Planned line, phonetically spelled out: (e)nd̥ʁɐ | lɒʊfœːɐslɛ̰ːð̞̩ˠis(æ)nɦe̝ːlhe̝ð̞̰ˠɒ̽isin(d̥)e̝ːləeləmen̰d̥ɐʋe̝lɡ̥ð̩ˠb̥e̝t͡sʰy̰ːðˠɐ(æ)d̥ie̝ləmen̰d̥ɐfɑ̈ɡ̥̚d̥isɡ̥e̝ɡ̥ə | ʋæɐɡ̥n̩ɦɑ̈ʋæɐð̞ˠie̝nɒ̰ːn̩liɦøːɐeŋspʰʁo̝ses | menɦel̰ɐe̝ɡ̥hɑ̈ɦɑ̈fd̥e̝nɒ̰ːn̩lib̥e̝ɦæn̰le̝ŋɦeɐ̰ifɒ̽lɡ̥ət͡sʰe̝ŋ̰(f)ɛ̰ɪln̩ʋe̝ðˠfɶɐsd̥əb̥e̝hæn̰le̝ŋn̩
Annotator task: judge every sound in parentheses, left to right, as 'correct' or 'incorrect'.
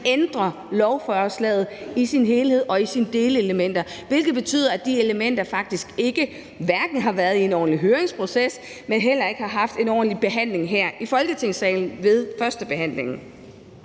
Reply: correct, incorrect: i, correct, correct, incorrect: s

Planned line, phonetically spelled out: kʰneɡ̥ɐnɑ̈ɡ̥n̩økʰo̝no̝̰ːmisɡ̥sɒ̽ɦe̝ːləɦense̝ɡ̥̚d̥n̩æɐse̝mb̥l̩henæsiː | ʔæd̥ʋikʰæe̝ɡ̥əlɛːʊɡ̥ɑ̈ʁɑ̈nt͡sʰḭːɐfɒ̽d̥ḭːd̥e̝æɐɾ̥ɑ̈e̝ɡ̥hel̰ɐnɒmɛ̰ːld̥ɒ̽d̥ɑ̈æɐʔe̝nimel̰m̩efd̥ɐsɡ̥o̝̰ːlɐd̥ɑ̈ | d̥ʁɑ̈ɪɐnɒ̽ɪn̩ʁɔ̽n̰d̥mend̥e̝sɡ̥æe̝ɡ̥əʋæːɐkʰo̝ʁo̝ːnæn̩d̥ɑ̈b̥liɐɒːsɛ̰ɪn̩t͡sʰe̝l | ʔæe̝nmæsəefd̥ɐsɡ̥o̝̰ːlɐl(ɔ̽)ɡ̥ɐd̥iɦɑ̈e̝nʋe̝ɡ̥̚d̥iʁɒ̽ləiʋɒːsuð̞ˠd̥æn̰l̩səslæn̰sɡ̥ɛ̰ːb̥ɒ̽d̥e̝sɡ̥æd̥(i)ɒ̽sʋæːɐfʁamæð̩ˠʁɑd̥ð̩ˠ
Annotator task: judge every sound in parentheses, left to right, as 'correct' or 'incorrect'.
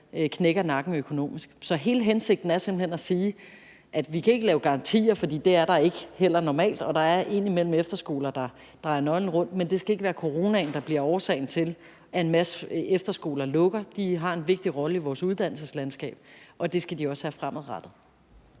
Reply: correct, correct

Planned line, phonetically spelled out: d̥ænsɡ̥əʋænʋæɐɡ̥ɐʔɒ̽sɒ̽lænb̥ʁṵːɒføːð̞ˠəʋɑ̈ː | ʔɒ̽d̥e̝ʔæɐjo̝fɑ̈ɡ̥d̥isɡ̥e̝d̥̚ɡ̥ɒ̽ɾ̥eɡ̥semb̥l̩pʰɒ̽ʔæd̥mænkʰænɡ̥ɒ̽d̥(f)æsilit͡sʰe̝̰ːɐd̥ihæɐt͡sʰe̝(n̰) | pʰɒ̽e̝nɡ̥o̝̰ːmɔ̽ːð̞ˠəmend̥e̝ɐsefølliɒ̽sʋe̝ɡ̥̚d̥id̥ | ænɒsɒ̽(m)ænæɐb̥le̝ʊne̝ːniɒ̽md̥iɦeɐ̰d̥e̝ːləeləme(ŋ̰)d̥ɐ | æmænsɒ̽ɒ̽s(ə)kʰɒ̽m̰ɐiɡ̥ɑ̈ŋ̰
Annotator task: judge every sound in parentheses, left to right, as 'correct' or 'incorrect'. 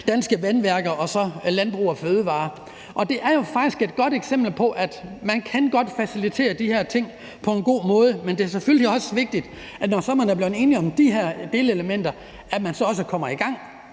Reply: correct, incorrect: ŋ̰, correct, incorrect: n̰, correct

